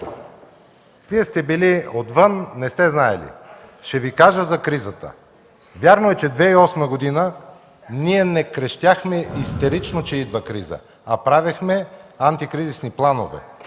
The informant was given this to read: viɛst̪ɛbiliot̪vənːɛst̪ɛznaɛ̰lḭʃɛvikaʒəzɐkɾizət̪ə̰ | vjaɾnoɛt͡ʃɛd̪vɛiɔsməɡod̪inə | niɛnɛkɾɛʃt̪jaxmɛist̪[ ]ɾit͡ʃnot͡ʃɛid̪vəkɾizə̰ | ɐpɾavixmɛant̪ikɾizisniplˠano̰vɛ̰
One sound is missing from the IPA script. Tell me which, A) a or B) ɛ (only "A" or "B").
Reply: B